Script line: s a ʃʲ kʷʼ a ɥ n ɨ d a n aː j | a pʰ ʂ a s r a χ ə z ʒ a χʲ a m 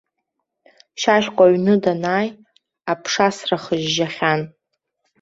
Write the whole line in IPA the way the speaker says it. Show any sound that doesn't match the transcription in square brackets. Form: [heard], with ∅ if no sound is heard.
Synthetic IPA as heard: [ʃ] a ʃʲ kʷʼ a ɥ n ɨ d a n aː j | a pʰ ʂ a s r a χ ə [ʒ] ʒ a χʲ a [n]